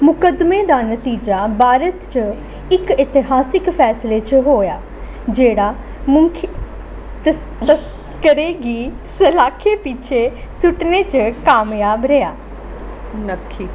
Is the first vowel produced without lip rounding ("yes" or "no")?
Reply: no